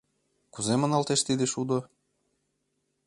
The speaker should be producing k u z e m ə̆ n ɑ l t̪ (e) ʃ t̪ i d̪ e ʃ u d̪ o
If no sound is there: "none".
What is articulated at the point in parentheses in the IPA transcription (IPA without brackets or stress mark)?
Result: e